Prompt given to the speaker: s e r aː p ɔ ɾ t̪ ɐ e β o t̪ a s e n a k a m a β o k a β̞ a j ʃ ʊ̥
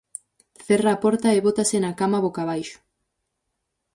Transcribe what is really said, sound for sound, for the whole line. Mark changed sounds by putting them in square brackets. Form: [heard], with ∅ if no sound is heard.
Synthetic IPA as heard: [θ] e r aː p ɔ ɾ t̪ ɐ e β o t̪ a s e n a k a m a β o k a β̞ a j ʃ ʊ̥